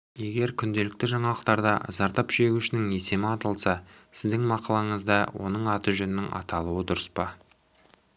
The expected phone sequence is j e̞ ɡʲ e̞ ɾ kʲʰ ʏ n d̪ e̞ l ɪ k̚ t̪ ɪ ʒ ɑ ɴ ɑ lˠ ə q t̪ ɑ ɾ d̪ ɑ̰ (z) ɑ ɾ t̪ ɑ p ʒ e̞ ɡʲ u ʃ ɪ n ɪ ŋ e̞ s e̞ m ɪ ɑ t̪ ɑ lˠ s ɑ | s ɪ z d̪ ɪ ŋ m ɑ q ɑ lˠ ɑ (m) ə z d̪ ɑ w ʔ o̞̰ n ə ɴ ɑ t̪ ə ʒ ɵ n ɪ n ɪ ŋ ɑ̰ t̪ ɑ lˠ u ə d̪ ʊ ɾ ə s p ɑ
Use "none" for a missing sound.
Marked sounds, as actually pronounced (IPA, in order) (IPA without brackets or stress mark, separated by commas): z, ɴ